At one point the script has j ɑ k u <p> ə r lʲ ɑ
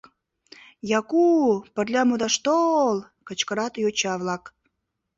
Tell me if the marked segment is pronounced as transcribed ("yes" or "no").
yes